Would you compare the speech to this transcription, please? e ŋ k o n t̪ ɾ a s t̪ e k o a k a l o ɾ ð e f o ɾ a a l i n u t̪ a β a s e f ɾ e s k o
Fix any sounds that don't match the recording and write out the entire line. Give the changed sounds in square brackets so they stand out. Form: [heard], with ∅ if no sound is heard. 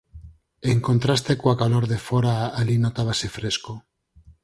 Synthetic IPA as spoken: e ŋ k o n t̪ ɾ a s t̪ e k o a k a l o ɾ ð e f o ɾ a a l i n [o] t̪ a β a s e f ɾ e s k o